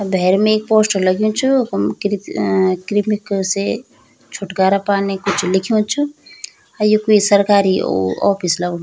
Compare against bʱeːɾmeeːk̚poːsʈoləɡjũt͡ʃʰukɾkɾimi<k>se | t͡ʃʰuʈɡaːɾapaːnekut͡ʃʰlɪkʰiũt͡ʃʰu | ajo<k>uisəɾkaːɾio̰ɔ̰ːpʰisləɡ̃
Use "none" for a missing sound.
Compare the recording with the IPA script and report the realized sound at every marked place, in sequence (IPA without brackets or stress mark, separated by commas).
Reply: k, k